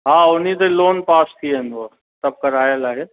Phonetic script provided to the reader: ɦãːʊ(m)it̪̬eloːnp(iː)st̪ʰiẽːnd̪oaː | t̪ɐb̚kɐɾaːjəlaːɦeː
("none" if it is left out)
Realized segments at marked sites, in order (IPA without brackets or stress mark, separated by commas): n, aː